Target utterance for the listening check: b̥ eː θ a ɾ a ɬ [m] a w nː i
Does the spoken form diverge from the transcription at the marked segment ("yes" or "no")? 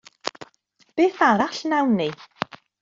yes